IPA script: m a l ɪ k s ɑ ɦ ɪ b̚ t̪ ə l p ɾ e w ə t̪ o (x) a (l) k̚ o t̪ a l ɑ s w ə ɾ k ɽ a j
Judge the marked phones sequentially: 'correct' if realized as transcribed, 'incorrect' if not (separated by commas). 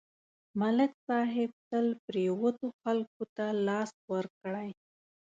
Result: correct, correct